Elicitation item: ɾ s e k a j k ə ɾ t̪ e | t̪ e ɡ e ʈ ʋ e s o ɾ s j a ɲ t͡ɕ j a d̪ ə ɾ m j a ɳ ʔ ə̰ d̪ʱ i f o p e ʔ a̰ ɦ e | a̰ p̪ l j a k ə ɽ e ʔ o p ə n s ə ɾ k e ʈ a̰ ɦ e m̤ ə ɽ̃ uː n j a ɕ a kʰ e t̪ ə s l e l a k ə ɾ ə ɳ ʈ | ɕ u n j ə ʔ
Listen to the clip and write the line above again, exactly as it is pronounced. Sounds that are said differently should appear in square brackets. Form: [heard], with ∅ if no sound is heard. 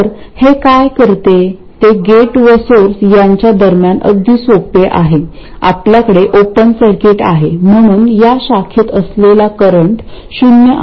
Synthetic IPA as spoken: ɾ [h] e k a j k ə ɾ t̪ e | t̪ e ɡ e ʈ ʋ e s o ɾ s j a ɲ t͡ɕ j a d̪ ə ɾ m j a [n] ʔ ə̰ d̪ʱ i [s] o p e ʔ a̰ ɦ e | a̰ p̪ l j a k ə ɽ e ʔ o p ə n s ə ɾ k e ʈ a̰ ɦ e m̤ ə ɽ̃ uː n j a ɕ a kʰ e t̪ ə s l e l a k ə ɾ ə ɳ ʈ | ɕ u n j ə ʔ